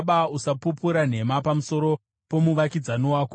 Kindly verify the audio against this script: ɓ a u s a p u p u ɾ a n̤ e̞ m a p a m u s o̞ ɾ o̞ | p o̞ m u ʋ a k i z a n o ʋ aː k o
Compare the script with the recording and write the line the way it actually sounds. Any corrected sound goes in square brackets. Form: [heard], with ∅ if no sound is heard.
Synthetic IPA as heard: ɓ a u s a p u p u ɾ a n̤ e̞ m a p a m u s o̞ ɾ o̞ | p o̞ m u ʋ a k i [d͡z] a n o [w] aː k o